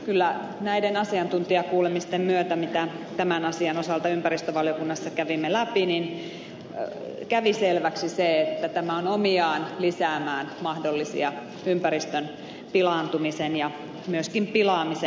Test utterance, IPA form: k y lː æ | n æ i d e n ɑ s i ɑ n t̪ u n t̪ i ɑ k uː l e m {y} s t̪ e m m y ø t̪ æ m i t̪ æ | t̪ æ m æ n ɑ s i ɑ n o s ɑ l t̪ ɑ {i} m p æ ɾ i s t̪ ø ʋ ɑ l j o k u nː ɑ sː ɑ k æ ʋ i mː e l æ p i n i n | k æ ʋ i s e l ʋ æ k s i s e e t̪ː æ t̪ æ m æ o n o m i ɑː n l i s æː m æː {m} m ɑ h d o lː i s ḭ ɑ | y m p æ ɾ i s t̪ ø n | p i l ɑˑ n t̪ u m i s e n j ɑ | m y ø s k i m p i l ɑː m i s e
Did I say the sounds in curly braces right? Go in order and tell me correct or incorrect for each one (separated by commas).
incorrect, incorrect, incorrect